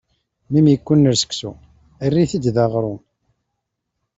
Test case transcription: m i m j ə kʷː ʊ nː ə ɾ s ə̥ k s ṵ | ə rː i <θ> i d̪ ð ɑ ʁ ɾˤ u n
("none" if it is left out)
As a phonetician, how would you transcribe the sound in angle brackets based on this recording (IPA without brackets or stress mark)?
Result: θ